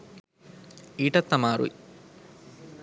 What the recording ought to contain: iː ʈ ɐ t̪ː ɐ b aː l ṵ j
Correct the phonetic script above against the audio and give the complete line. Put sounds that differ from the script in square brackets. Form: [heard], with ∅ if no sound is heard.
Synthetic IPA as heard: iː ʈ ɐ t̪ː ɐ [m] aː [ɾ] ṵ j